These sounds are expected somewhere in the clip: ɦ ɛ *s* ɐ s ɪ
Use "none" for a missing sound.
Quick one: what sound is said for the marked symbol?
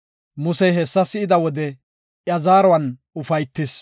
sː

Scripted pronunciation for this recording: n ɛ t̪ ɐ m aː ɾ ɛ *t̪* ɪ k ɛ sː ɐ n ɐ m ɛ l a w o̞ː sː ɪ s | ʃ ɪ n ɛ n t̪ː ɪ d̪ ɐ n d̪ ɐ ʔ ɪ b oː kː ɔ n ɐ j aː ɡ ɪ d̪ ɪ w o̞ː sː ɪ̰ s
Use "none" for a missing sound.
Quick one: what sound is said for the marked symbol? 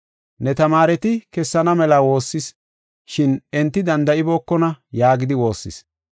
t̪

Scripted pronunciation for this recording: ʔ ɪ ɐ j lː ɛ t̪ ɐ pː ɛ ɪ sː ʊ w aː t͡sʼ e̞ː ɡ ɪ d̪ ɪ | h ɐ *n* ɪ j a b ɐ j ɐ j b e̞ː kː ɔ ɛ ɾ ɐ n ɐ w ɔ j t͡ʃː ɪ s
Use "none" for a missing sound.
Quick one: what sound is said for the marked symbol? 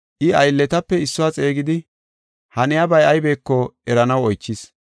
n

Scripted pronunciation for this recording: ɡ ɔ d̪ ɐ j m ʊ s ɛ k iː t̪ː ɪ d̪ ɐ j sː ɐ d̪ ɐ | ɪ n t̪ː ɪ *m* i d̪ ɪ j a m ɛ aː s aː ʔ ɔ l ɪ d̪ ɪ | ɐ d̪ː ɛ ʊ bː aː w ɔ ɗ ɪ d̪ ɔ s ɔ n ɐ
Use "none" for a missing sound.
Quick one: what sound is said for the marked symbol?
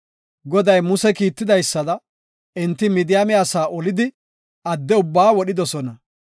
m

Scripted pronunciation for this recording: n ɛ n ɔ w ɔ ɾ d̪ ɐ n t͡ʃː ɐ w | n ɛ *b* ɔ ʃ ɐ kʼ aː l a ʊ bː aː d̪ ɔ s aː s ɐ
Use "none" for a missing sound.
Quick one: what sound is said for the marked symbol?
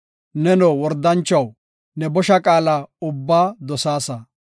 b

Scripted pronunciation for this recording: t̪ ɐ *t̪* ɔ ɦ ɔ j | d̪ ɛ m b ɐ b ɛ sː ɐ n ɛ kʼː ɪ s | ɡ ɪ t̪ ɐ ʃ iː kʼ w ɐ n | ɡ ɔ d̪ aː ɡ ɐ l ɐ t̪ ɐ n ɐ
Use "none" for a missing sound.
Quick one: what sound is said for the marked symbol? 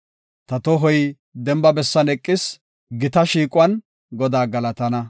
t̪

